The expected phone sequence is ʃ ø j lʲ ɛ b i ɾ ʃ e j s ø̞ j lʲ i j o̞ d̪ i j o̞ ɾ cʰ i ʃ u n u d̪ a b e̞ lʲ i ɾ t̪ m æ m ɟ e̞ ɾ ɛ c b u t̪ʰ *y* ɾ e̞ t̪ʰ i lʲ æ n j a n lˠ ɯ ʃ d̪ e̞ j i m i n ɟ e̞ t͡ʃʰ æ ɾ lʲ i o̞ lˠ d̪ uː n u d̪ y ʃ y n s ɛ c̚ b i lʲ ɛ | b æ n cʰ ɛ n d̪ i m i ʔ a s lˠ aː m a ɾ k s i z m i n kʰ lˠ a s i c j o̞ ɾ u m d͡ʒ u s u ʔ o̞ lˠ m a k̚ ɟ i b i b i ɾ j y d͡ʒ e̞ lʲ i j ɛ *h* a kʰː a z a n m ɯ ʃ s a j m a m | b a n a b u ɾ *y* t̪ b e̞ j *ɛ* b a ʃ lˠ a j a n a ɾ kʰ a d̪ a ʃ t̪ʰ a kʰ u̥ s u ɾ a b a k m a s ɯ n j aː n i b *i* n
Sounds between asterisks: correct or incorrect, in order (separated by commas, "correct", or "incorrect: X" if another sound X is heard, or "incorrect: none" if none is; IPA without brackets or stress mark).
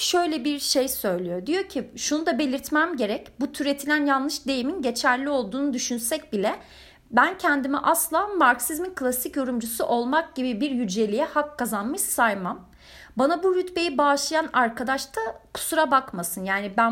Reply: correct, correct, correct, incorrect: i, incorrect: æ